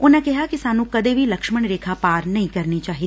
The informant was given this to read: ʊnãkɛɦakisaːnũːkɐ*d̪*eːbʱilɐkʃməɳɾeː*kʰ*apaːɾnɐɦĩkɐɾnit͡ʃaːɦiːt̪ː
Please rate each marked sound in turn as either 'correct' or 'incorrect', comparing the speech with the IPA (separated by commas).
correct, correct